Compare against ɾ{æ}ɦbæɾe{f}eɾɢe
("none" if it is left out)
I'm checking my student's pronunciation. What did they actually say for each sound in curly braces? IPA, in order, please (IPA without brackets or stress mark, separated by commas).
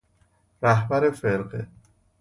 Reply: æ, f